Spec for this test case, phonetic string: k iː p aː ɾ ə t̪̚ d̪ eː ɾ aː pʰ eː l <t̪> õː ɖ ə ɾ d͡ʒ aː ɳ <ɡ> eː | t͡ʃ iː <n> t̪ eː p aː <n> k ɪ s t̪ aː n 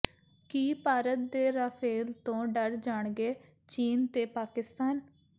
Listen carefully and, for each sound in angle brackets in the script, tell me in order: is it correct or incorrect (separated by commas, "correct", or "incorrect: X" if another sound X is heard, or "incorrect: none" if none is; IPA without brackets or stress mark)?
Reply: correct, correct, correct, incorrect: none